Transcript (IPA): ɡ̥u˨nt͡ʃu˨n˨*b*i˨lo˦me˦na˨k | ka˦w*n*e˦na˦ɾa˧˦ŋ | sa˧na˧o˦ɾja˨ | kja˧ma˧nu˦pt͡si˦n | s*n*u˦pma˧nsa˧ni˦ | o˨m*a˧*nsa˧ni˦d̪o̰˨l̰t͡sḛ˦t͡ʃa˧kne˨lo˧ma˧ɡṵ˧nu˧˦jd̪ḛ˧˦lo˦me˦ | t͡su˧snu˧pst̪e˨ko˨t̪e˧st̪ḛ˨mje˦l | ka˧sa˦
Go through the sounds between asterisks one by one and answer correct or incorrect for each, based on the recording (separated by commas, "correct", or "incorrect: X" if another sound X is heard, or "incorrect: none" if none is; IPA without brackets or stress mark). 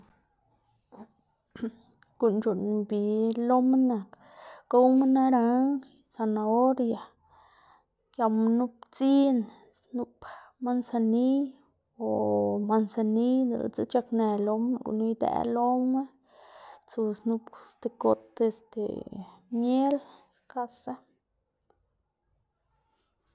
correct, incorrect: m, correct, correct